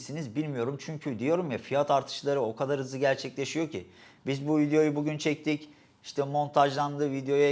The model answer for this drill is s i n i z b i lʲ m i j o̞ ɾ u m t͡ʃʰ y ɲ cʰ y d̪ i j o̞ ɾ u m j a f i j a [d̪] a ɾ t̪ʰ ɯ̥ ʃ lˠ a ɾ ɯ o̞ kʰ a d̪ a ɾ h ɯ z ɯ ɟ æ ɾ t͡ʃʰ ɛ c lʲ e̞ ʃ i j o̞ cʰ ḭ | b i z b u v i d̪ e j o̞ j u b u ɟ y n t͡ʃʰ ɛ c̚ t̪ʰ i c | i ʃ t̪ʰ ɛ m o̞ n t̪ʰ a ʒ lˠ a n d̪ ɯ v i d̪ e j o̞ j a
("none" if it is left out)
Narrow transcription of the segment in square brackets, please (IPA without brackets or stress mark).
t̪